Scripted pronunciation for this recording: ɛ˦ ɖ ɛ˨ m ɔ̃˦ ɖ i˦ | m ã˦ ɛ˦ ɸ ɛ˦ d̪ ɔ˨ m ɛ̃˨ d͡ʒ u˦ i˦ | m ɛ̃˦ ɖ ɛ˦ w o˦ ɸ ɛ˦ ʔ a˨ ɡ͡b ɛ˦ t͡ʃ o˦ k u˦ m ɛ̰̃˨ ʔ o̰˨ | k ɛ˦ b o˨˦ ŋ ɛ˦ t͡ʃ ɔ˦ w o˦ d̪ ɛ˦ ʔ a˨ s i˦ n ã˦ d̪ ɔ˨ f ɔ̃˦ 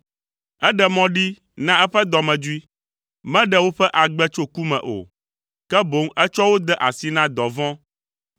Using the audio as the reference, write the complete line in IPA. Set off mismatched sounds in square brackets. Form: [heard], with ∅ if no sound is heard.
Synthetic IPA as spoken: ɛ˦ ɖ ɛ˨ m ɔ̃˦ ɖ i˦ | [n] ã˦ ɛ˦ ɸ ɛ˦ d̪ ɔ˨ m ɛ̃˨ d͡ʒ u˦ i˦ | m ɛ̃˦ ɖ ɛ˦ w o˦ ɸ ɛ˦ ʔ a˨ ɡ͡b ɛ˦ t͡ʃ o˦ k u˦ m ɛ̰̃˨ ʔ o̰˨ | k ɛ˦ b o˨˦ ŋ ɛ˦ t͡ʃ ɔ˦ w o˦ d̪ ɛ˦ ʔ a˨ s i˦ n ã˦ d̪ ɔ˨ [v] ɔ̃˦